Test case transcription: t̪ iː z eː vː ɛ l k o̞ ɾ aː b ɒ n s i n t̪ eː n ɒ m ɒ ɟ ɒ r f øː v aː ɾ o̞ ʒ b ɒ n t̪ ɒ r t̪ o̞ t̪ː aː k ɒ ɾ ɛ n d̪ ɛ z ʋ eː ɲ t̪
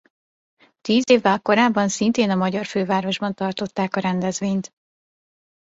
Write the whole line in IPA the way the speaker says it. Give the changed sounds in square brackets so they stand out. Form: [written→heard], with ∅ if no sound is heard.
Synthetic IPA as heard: t̪ iː z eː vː ɛ l k o̞ ɾ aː [b→bː] ɒ n s i n t̪ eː n ɒ m ɒ ɟ ɒ r f øː v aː ɾ o̞ ʒ b ɒ n t̪ ɒ r t̪ o̞ t̪ː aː k ɒ ɾ ɛ n d̪ ɛ z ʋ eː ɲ t̪